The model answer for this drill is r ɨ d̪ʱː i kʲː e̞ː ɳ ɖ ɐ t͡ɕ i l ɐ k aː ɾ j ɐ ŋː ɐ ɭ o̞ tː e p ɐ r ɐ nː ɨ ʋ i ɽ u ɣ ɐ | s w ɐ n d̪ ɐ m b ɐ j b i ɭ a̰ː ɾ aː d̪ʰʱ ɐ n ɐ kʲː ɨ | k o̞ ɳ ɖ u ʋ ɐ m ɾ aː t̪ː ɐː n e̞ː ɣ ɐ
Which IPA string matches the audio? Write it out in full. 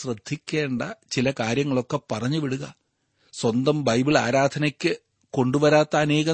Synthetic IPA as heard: r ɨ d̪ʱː i kʲː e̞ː ɳ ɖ ɐ t͡ɕ i l ɐ k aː ɾ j ɐ ŋː ɐ ɭ o̞ kː e p ɐ r ɐ ɲː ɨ ʋ i ɽ u ɣ ɐ | s w ɐ n d̪ ɐ m b ɐ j b i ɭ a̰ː ɾ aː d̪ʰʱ ɐ n ɐ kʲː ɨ | k o̞ ɳ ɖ u ʋ ɐ ɾ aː t̪ː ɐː n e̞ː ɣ ɐ